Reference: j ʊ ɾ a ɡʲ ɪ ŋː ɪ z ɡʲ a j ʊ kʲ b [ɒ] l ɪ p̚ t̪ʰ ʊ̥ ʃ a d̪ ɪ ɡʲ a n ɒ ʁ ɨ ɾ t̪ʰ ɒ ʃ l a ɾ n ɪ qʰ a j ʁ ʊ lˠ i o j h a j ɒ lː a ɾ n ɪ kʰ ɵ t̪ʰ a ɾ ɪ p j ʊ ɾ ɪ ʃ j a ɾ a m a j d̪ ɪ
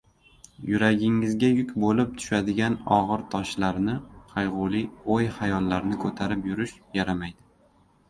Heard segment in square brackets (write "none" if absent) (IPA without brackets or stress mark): o